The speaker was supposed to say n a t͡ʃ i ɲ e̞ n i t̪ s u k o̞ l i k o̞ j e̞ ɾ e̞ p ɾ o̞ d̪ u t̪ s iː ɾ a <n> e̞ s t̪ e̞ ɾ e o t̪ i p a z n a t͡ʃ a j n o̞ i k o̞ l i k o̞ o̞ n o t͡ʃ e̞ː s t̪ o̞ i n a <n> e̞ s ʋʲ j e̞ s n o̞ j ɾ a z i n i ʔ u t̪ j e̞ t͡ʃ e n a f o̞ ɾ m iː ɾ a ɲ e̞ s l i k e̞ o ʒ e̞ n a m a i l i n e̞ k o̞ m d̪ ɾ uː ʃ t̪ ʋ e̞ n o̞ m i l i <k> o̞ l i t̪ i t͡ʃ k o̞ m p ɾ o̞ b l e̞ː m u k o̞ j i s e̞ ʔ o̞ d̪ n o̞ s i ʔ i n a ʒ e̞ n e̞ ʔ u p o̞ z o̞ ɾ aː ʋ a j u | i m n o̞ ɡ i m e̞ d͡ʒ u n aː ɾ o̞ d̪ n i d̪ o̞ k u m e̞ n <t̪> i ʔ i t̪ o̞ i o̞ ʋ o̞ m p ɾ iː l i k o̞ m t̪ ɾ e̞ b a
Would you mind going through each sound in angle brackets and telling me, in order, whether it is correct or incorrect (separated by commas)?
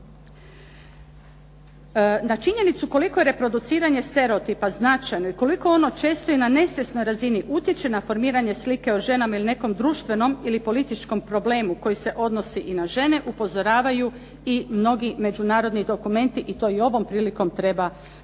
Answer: incorrect, correct, incorrect, correct